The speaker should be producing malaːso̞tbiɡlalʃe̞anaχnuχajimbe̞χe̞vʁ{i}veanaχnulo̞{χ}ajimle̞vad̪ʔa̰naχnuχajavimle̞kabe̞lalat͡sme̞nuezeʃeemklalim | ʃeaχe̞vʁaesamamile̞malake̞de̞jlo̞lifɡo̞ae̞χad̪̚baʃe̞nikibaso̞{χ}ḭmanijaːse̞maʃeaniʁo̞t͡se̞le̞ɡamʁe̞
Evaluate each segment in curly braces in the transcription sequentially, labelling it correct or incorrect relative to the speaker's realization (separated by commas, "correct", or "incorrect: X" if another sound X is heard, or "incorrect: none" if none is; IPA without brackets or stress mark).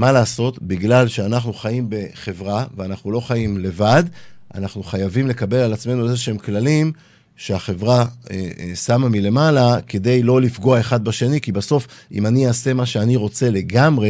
incorrect: a, correct, incorrect: f